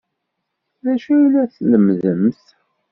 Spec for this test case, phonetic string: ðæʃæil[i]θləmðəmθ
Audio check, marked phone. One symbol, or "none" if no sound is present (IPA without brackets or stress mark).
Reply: æ